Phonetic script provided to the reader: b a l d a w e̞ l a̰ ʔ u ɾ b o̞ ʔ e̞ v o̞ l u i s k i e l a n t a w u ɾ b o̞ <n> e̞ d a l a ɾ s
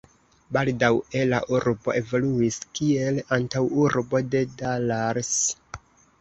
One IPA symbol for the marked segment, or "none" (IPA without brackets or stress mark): d